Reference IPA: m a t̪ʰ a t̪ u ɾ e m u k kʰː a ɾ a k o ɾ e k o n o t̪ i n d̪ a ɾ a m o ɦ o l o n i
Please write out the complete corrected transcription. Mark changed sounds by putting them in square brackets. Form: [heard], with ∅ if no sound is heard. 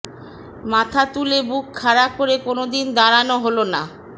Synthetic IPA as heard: m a t̪ʰ a t̪ u [l] e [b] u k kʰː a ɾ a k o ɾ e k o n o [d̪] i n d̪ a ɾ a [n] o ɦ o l o n [a]

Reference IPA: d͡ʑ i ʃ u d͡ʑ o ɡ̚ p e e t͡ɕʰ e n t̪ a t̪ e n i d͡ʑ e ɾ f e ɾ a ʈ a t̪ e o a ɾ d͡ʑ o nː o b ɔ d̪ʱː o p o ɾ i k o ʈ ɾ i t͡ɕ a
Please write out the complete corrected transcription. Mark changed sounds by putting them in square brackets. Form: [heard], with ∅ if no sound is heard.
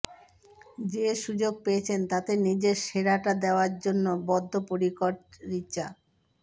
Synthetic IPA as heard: d͡ʑ [e] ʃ u d͡ʑ o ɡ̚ p e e t͡ɕʰ e n t̪ a t̪ e n i d͡ʑ e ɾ [ʃ] e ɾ a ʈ a [d̪] e o a ɾ d͡ʑ o nː o b ɔ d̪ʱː o p o ɾ i k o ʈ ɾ i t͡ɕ a

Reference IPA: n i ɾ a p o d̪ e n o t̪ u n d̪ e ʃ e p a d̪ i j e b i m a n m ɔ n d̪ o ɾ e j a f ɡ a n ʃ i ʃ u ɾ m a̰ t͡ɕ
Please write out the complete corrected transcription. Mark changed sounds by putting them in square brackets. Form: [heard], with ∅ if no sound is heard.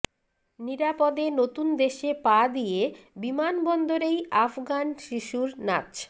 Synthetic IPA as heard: n i ɾ a p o d̪ e n o t̪ u n d̪ e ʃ e p a d̪ i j e b i m a n [b] ɔ n d̪ o ɾ e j a f ɡ a n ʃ i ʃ u ɾ [n] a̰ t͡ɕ

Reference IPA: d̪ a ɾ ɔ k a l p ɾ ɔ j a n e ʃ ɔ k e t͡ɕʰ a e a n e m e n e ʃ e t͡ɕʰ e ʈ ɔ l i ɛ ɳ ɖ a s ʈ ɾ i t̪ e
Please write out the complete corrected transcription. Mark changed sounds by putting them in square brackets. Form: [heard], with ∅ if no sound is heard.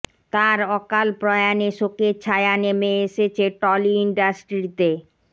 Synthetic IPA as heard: [t̪] a ɾ ɔ k a l p ɾ ɔ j a n e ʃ [o] k e t͡ɕʰ a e a n e m e [∅] e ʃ e t͡ɕʰ e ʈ ɔ l i [i] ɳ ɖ a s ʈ ɾ i t̪ e

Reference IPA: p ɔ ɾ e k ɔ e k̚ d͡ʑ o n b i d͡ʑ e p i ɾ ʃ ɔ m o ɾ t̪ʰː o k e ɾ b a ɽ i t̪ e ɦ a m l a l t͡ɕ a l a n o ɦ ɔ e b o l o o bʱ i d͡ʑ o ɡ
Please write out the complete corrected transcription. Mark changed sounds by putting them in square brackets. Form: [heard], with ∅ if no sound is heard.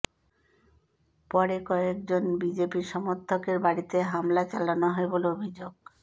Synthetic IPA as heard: p ɔ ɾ e k ɔ e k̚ d͡ʑ o n b i d͡ʑ e p i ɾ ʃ ɔ m o ɾ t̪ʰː o k e ɾ b a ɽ i t̪ e ɦ a m l a [∅] t͡ɕ a l a n o ɦ ɔ e b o l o o bʱ i d͡ʑ o ɡ

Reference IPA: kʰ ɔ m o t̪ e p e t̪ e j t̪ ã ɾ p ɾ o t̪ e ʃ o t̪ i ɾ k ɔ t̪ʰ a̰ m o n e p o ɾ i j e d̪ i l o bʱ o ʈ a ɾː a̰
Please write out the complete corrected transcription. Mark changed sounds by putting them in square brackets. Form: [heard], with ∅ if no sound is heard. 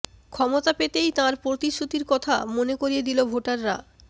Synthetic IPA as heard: kʰ ɔ m o t̪ [a] p e t̪ e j t̪ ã ɾ p ɾ o t̪ [i] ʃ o t̪ i ɾ k ɔ t̪ʰ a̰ m o n e [k] o ɾ i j e d̪ i l o bʱ o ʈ a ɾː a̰

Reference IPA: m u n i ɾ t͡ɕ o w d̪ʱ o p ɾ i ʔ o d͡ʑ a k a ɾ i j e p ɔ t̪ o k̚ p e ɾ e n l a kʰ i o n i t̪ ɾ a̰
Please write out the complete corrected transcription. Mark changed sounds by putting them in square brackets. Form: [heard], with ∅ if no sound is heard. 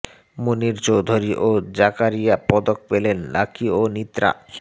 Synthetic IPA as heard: m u n i ɾ t͡ɕ o w d̪ʱ o [∅] ɾ i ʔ o d͡ʑ a k a ɾ i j [a] p ɔ [d̪] o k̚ p e [l] e n l a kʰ i o n i t̪ ɾ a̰

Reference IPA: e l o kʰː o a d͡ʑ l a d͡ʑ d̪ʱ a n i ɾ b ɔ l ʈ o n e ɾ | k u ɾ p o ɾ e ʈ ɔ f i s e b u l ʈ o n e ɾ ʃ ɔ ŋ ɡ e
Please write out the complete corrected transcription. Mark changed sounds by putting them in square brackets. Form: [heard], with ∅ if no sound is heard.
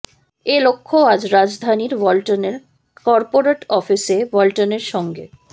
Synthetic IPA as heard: e l o kʰː o a d͡ʑ [ɾ] a d͡ʑ d̪ʱ a n i ɾ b ɔ l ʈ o n e ɾ | k [ɔ] ɾ p o ɾ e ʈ ɔ f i s e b [ɔ] l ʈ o n e ɾ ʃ ɔ ŋ ɡ e

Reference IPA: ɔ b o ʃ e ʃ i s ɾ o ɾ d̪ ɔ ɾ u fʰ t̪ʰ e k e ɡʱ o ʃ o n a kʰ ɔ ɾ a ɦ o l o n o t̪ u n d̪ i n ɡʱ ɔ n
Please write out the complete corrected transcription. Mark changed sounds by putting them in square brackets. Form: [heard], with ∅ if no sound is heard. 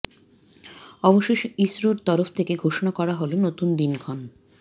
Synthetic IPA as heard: ɔ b o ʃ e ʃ i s ɾ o ɾ [t̪] ɔ ɾ [o] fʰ t̪ʰ e k e ɡʱ o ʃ o n a [k] ɔ ɾ a ɦ o l o n o t̪ u n d̪ i n ɡʱ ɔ n

